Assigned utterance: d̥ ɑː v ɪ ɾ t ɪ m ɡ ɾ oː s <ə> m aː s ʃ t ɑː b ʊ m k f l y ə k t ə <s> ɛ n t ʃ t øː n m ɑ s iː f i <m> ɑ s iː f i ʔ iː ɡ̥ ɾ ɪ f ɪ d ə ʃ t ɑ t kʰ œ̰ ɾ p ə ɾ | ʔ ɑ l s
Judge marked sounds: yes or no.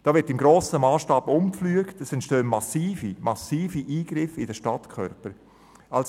yes, yes, yes

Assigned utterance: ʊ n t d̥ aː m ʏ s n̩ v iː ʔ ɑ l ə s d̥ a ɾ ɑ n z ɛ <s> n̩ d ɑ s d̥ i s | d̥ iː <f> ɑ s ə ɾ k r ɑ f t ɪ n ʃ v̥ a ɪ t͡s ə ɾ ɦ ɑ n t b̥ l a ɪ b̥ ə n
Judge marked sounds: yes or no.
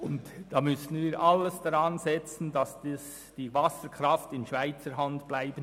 no, no

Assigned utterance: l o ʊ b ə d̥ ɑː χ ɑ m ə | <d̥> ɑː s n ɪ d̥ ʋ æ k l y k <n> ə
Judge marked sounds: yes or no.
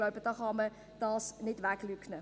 yes, yes

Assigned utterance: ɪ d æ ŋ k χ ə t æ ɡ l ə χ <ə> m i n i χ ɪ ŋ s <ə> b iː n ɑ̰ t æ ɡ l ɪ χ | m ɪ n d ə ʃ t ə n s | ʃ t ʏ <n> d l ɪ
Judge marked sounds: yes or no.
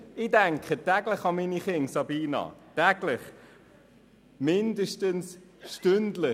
no, no, yes

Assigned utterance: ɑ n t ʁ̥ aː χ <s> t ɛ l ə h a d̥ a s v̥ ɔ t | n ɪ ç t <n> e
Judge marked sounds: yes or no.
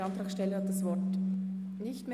no, no

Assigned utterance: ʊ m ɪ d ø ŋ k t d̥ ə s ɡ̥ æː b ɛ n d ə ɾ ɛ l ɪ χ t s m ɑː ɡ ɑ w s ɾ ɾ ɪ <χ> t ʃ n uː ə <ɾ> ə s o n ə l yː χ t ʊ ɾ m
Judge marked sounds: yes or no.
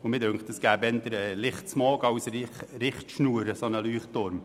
yes, yes

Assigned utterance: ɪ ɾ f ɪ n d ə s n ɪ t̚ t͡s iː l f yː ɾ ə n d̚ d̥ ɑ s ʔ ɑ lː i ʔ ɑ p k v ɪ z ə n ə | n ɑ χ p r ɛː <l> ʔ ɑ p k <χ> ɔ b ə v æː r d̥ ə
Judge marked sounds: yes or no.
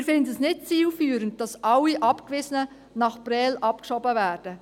yes, no

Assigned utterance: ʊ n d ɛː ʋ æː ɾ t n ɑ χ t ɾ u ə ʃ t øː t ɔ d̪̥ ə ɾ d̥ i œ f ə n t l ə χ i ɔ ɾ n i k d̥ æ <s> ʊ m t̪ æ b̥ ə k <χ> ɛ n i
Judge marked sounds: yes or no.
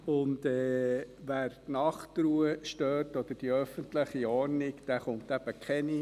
no, yes

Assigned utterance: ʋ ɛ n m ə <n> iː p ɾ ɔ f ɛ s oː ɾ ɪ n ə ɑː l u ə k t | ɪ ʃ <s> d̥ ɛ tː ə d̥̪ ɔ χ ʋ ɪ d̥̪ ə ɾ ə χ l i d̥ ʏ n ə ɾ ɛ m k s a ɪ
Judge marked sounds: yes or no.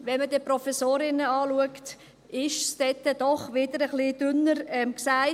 no, yes

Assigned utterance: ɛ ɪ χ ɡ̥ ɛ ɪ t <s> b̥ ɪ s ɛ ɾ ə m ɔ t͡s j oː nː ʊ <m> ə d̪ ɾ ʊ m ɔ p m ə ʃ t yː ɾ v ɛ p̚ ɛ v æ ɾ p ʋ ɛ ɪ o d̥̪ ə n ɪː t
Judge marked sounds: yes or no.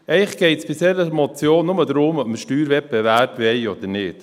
yes, yes

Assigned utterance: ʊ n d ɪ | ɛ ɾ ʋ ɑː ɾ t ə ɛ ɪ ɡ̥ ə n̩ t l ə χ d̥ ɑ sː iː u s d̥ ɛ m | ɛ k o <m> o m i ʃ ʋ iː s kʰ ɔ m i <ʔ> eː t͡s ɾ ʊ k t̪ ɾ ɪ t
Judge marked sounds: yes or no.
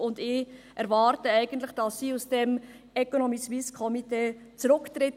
no, no

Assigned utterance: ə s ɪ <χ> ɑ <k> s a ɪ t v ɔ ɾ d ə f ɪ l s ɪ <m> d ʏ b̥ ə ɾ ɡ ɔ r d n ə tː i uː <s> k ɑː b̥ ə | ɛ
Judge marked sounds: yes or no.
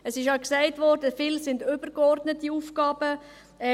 no, yes, no, no

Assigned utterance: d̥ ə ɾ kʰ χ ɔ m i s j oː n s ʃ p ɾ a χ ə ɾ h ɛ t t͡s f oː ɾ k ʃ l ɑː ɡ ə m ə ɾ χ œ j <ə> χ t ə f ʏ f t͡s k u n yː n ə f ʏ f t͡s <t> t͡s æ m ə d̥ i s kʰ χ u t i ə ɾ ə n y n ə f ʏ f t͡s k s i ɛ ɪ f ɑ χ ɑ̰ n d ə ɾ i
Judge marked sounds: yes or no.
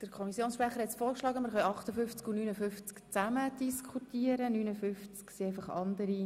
no, no

